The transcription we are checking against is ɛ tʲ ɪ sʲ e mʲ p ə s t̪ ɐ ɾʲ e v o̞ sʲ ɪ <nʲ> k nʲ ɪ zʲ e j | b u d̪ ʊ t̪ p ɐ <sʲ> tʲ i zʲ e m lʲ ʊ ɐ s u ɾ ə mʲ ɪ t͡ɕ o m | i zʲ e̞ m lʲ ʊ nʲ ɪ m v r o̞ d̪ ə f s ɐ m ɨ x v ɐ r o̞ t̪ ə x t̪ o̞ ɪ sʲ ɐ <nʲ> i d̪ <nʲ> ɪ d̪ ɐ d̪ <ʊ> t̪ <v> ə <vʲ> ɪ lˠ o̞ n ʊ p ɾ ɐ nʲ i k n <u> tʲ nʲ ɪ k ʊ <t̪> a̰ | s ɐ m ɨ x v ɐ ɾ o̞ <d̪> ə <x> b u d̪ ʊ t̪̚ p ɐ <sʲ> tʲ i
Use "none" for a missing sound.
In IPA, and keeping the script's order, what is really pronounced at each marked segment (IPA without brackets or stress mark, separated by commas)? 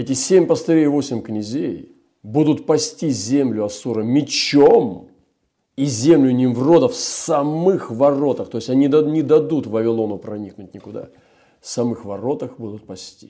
mʲ, sʲ, nʲ, nʲ, u, v, vʲ, ʊ, d̪, t̪, x, sʲ